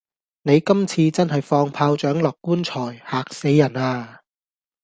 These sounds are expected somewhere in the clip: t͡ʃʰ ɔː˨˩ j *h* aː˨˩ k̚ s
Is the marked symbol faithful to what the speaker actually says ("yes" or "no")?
yes